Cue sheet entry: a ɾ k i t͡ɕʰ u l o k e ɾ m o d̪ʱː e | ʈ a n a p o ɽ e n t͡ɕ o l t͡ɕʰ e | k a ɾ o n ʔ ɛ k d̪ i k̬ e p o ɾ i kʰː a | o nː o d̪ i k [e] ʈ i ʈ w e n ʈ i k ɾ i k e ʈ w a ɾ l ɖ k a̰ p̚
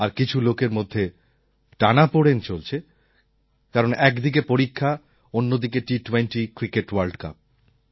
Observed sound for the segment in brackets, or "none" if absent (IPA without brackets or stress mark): e